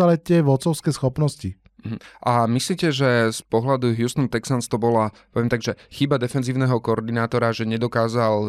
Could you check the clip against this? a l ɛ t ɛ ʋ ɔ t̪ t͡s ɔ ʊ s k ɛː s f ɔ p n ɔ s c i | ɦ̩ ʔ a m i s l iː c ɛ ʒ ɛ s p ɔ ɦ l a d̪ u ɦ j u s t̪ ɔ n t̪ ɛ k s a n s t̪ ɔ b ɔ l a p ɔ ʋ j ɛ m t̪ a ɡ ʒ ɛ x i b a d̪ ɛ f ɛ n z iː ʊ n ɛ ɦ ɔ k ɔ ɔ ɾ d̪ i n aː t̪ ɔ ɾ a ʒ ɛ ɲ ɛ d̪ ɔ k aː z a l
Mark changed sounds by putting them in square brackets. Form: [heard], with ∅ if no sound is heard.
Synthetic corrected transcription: a l ɛ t ɛ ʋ ɔ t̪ t͡s ɔ ʊ s k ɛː s [x] ɔ p n ɔ s c i | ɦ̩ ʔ a m i s l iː c ɛ ʒ ɛ s p ɔ ɦ l a d̪ u ɦ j u s t̪ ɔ n t̪ ɛ k s a n s t̪ ɔ b ɔ l a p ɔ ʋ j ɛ m t̪ a ɡ ʒ ɛ x i b a d̪ ɛ f ɛ n z iː ʊ n ɛ ɦ ɔ k ɔ ɔ ɾ d̪ i n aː t̪ ɔ ɾ a ʒ ɛ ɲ ɛ d̪ ɔ k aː z a l